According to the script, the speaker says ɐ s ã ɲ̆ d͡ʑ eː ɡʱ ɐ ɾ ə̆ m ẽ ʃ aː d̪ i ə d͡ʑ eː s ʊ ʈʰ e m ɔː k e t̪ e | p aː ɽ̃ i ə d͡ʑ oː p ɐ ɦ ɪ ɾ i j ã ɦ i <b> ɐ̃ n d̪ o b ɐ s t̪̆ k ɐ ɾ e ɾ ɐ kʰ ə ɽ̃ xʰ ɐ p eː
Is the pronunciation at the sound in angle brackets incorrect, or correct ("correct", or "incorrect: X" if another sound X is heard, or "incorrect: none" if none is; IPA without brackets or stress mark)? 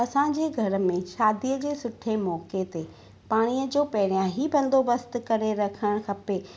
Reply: correct